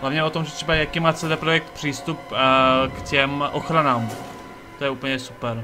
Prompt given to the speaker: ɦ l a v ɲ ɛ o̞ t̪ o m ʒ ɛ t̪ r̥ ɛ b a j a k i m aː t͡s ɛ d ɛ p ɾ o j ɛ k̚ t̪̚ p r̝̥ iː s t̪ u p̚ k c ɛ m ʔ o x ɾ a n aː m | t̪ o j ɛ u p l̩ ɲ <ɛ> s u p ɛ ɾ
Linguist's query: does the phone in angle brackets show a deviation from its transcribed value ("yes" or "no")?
no